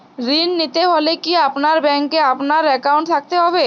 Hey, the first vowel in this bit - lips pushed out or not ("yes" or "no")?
no